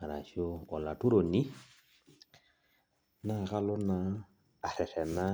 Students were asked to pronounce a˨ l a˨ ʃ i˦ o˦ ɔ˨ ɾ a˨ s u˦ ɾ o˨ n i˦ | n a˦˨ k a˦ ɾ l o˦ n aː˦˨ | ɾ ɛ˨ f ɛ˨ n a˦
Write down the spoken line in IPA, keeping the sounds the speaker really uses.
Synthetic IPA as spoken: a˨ ɾ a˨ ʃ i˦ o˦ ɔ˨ l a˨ t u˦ ɾ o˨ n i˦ | n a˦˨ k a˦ l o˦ n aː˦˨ | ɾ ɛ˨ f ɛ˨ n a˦

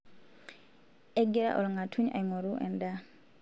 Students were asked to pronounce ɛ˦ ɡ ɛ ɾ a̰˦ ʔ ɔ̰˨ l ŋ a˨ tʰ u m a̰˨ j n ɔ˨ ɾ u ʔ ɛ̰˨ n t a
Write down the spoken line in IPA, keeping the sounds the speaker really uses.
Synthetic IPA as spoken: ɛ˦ ɡ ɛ ɾ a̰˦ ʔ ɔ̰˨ l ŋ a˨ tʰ u ɲ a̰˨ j ŋ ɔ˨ ɾ u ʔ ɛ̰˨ n d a

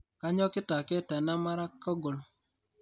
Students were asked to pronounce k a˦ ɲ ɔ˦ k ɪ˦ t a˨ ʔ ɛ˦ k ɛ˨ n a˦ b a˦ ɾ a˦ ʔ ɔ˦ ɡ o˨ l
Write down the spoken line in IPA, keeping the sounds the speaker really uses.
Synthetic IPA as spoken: k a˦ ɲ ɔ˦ k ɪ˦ t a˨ k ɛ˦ t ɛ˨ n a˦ m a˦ ɾ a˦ k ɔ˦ ɡ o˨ l

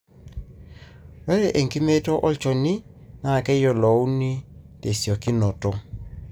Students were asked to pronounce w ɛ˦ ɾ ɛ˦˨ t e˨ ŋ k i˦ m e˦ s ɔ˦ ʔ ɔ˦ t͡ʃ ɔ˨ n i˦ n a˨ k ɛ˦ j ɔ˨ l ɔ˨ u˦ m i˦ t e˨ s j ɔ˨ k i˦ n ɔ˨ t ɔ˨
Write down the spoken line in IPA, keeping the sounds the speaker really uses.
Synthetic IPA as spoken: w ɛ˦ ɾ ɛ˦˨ ʔ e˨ ŋ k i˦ m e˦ t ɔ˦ ʔ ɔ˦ t͡ʃ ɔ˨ n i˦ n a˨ k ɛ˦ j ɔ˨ l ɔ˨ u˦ n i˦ t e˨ s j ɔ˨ k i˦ n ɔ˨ t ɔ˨

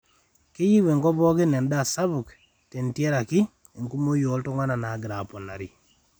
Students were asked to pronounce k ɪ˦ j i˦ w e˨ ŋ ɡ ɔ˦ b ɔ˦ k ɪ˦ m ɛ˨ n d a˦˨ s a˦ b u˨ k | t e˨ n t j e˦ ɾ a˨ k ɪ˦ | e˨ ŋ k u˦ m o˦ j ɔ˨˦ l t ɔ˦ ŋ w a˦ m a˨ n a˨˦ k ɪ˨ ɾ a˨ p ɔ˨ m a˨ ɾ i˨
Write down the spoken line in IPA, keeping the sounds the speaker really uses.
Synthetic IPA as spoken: k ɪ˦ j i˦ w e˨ ŋ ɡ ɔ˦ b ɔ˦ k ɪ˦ n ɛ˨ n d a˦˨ s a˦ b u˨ k | t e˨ n t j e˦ ɾ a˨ k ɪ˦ | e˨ ŋ k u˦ m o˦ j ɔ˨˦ l t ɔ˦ ŋ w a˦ n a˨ n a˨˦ ɡ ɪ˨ ɾ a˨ p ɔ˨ n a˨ ɾ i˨

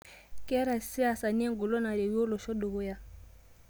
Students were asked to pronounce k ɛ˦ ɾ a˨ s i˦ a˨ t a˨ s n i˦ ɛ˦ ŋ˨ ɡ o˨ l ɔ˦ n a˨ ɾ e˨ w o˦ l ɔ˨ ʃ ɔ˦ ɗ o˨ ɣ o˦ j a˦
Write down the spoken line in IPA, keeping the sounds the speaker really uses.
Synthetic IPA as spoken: k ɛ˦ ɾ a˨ s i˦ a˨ s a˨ n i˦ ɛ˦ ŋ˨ ɡ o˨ l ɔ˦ n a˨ ɾ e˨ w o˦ l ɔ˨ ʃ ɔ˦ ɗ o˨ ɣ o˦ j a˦

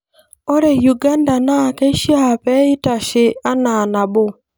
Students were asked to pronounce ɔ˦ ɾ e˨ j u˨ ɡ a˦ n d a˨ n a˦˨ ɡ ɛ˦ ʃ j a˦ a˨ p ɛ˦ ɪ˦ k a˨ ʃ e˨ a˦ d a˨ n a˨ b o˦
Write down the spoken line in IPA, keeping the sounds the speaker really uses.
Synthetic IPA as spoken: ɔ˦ ɾ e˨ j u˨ ɡ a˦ n d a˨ n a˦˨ k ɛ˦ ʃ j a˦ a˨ p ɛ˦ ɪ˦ t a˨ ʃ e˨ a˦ n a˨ n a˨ b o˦

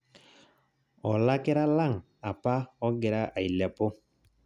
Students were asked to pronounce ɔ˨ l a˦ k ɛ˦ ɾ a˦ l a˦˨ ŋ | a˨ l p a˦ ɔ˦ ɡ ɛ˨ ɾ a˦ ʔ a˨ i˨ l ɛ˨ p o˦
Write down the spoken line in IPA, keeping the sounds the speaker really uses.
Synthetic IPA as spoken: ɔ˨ l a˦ k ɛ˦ ɾ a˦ l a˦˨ ŋ | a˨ p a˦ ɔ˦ ɡ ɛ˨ ɾ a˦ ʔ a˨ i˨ l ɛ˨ p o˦

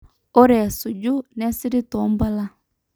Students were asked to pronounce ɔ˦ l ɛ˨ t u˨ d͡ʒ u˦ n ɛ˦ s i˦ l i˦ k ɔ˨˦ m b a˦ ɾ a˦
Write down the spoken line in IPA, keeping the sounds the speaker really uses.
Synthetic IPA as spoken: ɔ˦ ɾ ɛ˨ s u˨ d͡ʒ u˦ n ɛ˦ s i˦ ɾ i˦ t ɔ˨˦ m b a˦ l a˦

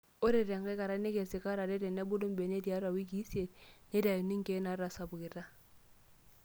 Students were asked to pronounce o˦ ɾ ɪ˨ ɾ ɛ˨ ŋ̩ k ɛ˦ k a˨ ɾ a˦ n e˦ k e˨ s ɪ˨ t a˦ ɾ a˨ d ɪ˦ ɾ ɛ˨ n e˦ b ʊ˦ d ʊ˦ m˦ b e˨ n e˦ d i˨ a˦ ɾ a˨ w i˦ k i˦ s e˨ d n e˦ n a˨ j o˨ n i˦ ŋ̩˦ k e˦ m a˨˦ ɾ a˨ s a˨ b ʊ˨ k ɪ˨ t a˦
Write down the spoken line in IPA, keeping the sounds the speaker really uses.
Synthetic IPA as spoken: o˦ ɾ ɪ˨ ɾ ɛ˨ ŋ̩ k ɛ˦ k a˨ ɾ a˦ n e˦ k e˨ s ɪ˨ k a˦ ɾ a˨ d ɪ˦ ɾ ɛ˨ n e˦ b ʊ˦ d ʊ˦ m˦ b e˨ n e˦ d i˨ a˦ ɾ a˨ w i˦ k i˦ s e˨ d n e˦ d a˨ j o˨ n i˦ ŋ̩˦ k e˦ n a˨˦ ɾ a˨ s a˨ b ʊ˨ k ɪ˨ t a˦

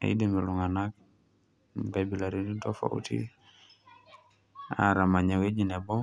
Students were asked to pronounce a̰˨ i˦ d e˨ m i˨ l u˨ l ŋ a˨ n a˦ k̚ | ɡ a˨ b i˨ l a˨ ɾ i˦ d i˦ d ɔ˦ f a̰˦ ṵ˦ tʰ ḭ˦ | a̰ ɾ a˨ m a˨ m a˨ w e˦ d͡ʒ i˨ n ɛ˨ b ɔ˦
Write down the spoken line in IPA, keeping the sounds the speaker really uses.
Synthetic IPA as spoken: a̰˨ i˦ d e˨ m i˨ l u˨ ŋ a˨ n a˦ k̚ | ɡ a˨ b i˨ l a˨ ɾ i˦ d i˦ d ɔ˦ f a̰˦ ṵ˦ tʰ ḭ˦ | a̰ ɾ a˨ m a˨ ɲ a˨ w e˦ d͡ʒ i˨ n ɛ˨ b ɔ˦

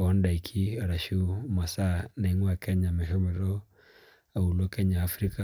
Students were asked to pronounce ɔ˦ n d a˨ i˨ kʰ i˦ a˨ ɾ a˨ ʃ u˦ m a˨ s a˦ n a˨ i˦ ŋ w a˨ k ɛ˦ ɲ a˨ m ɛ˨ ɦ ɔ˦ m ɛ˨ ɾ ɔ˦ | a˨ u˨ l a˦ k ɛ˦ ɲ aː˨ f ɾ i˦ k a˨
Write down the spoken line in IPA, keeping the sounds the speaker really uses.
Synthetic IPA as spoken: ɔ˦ n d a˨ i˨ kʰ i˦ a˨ ɾ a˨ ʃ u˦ m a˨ s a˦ n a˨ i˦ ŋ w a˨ k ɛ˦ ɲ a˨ m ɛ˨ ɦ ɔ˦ m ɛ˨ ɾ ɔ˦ | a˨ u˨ l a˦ k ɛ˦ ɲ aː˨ f ɾ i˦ k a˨

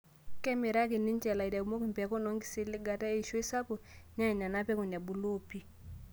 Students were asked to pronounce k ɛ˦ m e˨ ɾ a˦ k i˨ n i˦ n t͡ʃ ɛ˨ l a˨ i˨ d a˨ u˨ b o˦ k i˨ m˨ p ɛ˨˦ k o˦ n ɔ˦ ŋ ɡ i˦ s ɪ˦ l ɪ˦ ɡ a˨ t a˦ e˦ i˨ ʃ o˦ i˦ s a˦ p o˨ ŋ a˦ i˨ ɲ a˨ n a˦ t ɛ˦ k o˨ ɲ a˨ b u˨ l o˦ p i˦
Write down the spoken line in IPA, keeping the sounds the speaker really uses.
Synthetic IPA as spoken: k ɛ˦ m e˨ ɾ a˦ k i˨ n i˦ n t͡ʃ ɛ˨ l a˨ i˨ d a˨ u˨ m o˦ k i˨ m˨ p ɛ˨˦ k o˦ n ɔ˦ ŋ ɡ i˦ s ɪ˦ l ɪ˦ ɡ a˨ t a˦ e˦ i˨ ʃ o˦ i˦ s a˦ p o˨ ɲ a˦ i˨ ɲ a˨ n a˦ p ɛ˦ k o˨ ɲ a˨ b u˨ l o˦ p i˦

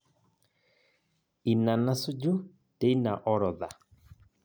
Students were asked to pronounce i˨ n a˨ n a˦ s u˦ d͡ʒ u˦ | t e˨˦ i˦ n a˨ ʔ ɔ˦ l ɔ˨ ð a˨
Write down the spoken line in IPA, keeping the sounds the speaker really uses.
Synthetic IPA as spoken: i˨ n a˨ n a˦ s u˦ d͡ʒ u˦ | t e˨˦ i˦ n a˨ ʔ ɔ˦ ɾ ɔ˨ ð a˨

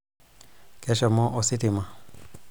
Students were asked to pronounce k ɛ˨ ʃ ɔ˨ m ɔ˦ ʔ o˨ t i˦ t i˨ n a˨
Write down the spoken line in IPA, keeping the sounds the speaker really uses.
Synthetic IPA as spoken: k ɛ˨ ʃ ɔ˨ m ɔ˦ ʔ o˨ s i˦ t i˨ m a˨

